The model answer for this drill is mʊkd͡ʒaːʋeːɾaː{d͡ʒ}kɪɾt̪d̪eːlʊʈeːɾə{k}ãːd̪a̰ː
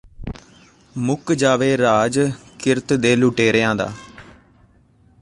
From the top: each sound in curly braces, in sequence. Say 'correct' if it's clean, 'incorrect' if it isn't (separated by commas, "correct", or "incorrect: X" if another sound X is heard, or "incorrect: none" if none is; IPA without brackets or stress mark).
correct, incorrect: none